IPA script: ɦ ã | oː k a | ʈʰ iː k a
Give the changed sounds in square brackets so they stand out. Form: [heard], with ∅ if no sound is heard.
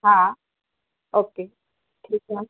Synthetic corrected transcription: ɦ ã | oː k [e] | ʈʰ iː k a